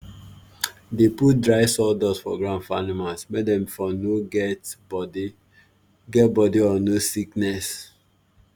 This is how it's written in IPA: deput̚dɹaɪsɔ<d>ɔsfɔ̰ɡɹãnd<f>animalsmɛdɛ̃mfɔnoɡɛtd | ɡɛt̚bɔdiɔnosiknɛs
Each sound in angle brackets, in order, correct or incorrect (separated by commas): correct, correct